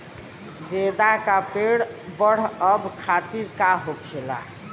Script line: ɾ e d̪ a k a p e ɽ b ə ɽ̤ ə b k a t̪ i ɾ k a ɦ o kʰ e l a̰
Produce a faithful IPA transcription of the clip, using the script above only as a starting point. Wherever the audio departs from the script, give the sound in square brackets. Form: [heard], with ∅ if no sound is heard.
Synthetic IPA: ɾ e d̪ a k a p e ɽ b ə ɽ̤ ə b [kʰ] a t̪ i ɾ k a ɦ o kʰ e l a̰